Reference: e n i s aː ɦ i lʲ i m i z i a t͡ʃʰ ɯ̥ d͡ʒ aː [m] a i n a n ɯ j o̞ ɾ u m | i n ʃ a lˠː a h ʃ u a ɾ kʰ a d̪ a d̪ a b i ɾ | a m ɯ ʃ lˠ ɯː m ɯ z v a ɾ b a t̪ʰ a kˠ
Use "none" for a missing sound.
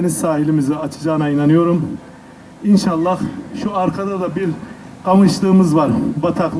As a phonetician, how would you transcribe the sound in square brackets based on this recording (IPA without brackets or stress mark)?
n